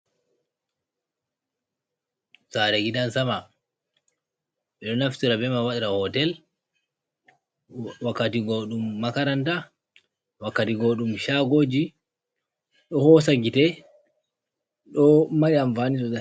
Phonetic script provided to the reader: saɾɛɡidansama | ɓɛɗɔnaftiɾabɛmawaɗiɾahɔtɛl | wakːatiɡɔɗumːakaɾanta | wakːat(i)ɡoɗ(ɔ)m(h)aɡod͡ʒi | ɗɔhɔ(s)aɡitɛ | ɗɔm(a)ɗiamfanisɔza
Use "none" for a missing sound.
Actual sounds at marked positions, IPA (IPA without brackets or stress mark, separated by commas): i, u, ʃ, s, a